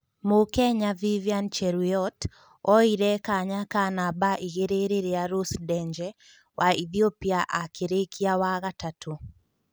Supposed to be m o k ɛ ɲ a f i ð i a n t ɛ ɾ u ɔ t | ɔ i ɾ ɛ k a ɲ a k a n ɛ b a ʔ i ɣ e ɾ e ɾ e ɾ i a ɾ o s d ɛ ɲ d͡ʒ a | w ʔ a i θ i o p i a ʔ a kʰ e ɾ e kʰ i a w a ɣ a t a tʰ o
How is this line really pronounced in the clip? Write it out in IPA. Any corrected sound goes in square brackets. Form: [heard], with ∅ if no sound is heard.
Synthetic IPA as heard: m o k ɛ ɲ a [v] i [v] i a n [t͡ʃ] ɛ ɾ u ɔ t | ɔ i ɾ ɛ k a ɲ a k a n [a] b a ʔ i ɣ e ɾ e ɾ e ɾ [e] a ɾ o s d ɛ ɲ d͡ʒ [ɛ] | w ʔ a i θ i o p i a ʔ a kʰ e ɾ e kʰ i a w a ɣ a t a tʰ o

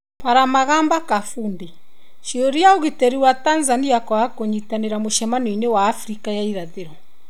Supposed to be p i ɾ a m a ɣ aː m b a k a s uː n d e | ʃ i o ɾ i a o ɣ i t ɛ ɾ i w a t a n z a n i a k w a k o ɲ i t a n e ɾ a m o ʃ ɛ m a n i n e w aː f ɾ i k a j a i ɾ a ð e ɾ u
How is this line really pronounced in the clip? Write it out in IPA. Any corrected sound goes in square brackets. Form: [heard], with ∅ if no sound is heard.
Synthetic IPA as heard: p [a] ɾ a m a ɣ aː m b a k a [f] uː n d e | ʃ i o ɾ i a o ɣ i t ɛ ɾ i w a t a n z a n i a k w a k o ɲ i t a n e ɾ a m o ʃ ɛ m a n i n e w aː f ɾ i k a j a i ɾ a ð e ɾ [ɔ]

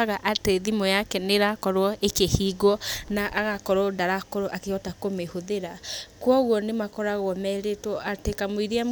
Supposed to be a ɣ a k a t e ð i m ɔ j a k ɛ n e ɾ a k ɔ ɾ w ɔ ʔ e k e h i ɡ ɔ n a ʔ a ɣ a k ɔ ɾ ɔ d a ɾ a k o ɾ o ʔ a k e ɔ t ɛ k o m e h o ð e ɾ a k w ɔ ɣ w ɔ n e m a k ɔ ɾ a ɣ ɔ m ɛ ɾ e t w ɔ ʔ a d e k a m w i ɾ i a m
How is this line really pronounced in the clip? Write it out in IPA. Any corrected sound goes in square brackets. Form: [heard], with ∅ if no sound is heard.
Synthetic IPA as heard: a ɣ a [ʔ] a t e ð i m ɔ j a k ɛ n e ɾ a k ɔ ɾ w ɔ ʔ e k e h i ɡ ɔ n a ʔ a ɣ a k ɔ ɾ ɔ d a ɾ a k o ɾ o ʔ a k e ɔ t [a] k o m e h o ð e ɾ a k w ɔ ɣ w ɔ n e m a k ɔ ɾ a ɣ ɔ m ɛ ɾ e t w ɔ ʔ a [t] e k a m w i ɾ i a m

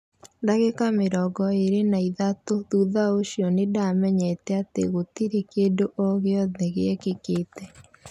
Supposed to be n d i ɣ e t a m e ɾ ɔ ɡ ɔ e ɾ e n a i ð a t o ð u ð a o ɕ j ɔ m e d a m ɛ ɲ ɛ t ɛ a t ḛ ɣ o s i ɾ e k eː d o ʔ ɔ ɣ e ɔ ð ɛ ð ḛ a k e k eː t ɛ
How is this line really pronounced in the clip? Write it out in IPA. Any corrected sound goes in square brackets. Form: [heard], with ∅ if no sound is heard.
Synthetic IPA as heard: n d [a] ɣ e [k] a m e ɾ ɔ ɡ ɔ e ɾ e n a i ð a t o ð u ð a o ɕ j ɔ [n] e d a m ɛ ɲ ɛ t ɛ a t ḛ ɣ o [t] i ɾ e k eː d o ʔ ɔ ɣ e ɔ ð ɛ [ɣ] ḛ [ɛ] k e k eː t ɛ

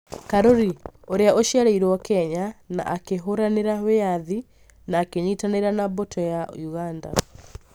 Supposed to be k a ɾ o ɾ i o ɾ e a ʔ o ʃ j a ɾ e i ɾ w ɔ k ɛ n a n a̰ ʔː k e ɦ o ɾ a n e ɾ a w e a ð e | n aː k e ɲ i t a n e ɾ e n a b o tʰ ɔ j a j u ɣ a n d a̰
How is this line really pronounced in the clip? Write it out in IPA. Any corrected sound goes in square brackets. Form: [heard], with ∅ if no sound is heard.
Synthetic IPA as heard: k a ɾ o ɾ i o ɾ e a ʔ o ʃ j a ɾ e i ɾ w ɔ k ɛ [ɲ] a n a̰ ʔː k e ɦ o ɾ a n e ɾ a w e a ð [i] | n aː k e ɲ i t a n e ɾ [a] n a b o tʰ ɔ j a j u ɣ a n d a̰

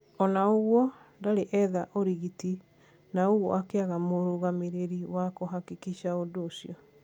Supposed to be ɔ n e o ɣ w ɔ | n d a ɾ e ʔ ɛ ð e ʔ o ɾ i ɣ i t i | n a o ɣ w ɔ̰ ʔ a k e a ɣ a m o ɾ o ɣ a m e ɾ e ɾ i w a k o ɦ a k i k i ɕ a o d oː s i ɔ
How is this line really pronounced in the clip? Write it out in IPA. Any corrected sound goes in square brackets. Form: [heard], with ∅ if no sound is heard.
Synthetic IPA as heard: ɔ n [a] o ɣ w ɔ | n d a ɾ e ʔ ɛ ð [a] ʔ o ɾ i ɣ i t i | n a o ɣ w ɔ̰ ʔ a k e a ɣ a m o ɾ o ɣ a m e ɾ e ɾ i w a k o ɦ a k i k i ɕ a o d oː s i ɔ

